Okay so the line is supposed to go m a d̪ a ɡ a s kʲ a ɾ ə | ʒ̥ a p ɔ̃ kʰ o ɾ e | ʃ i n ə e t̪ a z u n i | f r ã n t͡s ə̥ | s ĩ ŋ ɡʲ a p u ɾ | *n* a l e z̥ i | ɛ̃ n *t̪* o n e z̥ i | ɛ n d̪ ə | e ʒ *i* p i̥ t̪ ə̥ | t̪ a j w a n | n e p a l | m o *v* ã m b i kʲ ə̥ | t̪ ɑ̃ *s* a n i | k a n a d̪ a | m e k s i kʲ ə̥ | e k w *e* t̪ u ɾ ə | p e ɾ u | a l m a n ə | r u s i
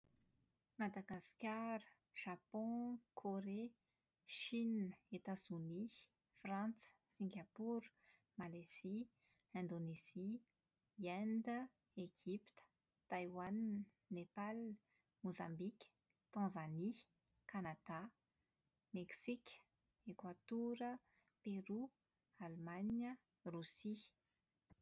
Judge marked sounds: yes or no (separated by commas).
no, no, yes, no, no, no